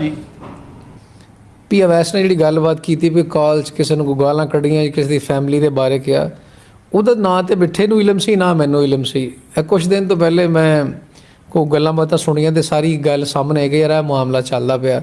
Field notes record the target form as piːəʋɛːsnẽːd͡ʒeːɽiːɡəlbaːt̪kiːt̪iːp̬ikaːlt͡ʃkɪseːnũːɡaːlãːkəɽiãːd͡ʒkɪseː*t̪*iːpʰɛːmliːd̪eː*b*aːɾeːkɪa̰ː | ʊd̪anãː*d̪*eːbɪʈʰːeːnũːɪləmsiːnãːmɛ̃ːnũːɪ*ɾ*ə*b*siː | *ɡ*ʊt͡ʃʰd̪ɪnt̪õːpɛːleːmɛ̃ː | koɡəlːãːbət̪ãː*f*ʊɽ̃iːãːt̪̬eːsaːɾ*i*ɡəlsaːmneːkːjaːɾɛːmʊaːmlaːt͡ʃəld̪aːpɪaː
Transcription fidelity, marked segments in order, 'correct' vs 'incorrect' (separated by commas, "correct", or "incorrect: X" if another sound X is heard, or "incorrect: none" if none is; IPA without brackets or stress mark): incorrect: d̪, correct, incorrect: t̪, incorrect: l, incorrect: m, incorrect: k, incorrect: s, incorrect: iː